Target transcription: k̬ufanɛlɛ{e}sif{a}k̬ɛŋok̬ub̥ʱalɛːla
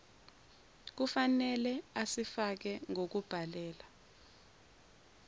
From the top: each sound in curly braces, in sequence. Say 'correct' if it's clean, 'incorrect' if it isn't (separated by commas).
incorrect, correct